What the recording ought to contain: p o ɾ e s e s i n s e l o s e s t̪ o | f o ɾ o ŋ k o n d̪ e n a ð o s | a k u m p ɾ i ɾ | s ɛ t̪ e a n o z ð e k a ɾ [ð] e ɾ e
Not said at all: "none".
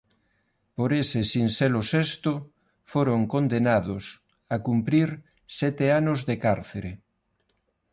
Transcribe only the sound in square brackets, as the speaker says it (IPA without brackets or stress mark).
θ